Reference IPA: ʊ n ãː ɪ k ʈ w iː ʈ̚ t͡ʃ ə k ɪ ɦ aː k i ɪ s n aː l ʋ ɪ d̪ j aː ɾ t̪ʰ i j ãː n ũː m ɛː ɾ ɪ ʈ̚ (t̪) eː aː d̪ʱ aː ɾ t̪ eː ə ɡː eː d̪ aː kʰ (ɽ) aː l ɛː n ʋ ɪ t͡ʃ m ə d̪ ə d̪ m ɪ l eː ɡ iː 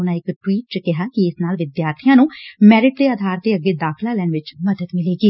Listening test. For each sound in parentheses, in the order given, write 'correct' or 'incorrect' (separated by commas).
incorrect, incorrect